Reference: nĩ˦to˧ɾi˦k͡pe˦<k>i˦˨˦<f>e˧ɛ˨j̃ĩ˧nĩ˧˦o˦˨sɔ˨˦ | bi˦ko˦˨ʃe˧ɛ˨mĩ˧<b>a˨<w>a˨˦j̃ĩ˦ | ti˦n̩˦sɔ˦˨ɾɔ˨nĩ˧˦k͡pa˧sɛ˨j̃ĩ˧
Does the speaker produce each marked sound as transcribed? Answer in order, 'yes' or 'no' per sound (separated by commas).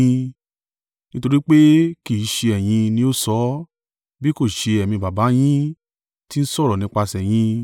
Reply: yes, no, yes, no